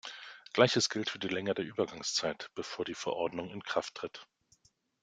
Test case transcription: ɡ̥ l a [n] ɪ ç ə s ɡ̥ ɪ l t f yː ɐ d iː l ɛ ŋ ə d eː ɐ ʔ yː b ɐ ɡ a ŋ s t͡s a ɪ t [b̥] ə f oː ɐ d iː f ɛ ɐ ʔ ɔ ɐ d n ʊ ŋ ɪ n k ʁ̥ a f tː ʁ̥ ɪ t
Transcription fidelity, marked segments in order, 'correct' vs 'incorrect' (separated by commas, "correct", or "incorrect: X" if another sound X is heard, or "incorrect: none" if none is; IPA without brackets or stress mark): incorrect: none, correct